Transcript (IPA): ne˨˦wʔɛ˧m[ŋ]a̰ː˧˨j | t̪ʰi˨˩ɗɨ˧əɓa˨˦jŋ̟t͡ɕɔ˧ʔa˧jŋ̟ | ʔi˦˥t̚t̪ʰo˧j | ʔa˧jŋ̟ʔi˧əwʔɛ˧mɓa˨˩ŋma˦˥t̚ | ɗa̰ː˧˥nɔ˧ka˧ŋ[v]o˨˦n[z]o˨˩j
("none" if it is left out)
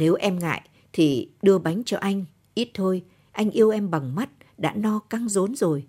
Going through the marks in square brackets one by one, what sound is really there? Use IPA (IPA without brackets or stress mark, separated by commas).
ŋ, z, z